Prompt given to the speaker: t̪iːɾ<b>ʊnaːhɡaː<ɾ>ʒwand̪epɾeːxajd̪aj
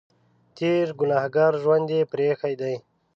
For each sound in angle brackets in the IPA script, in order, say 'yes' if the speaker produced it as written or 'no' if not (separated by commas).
no, yes